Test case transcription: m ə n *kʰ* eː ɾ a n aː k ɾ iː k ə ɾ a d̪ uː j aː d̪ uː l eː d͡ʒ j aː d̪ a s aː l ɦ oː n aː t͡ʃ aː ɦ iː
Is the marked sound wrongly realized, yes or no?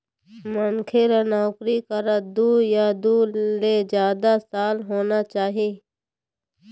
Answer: no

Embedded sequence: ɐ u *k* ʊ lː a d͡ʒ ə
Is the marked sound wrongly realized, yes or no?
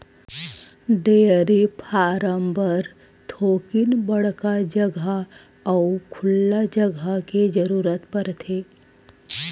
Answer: yes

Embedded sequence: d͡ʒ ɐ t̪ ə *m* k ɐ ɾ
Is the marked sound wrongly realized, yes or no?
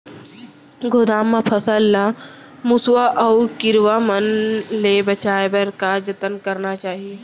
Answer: yes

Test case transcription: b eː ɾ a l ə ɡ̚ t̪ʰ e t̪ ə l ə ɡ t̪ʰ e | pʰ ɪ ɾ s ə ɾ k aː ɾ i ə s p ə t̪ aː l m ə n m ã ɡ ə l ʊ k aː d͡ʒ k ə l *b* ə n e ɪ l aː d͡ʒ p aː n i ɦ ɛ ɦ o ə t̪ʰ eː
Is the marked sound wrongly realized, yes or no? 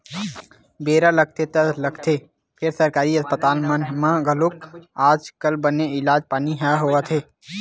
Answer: no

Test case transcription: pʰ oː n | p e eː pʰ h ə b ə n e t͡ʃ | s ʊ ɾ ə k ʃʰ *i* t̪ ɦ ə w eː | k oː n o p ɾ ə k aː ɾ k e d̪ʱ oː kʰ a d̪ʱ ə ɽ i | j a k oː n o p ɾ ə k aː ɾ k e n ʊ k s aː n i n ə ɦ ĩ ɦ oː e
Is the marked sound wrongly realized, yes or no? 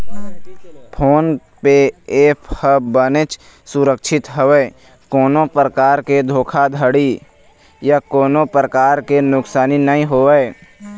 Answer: yes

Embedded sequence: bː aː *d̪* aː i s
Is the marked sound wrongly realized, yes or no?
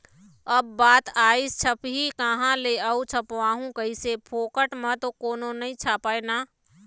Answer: yes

